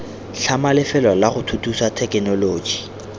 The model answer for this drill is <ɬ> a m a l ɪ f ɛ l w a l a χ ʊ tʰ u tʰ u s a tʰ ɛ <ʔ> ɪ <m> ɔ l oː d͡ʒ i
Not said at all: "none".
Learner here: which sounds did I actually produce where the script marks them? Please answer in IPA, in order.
ɬ, k, n

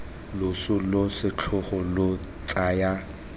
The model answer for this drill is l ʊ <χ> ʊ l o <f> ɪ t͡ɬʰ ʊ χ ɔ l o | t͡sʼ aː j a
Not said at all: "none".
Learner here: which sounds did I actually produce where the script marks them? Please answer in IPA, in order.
s, s

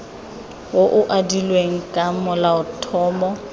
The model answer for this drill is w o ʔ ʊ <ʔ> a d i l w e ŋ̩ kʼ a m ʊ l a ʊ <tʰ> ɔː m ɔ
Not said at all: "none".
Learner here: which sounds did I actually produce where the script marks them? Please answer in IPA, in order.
ʔ, tʰ

